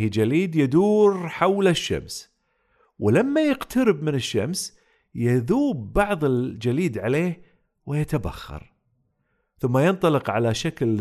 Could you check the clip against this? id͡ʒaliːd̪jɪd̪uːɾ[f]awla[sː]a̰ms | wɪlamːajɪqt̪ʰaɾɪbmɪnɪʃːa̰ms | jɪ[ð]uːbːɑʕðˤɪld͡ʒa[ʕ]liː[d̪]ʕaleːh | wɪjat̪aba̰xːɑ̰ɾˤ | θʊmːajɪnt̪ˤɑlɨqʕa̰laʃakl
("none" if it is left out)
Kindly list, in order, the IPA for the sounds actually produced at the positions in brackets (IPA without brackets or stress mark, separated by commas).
ħ, ʃː, ð, none, d̪